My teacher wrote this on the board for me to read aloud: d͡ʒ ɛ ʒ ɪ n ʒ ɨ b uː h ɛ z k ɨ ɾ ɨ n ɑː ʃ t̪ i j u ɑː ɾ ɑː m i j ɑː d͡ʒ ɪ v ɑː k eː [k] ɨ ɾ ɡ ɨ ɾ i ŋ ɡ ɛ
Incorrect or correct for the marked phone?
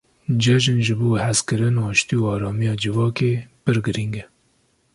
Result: incorrect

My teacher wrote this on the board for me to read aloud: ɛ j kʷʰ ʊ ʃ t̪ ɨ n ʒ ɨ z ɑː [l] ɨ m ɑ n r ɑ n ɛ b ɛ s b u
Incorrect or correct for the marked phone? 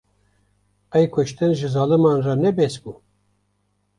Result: correct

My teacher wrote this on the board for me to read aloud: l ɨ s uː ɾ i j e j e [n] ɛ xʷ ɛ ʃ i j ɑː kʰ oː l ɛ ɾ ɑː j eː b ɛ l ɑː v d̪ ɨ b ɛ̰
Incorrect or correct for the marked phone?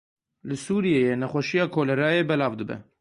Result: correct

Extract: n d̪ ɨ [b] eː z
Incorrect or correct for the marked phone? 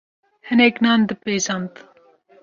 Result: incorrect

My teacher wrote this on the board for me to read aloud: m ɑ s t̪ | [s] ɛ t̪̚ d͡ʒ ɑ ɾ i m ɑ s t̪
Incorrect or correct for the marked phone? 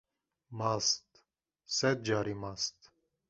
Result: correct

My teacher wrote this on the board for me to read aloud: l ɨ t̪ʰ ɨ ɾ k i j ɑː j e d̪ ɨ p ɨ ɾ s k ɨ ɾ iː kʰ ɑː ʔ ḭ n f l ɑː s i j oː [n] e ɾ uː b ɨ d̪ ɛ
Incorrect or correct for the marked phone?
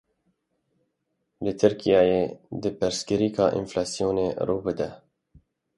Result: correct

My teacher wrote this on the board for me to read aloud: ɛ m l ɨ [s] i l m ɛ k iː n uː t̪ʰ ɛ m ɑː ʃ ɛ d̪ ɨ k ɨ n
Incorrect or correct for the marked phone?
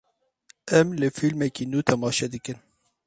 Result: incorrect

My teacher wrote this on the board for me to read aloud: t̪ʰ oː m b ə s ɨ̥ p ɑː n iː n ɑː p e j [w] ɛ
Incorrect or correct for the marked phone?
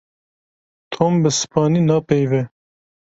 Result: incorrect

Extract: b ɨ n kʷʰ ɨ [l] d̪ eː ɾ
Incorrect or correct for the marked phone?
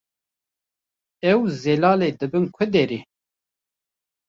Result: incorrect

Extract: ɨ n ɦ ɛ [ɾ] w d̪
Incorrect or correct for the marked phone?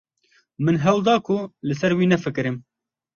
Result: incorrect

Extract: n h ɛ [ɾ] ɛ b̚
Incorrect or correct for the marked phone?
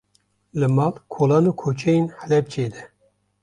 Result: incorrect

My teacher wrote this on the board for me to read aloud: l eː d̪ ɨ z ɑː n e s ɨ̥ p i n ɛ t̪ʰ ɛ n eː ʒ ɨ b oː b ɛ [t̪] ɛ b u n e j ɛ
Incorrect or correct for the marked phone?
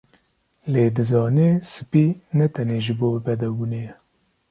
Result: incorrect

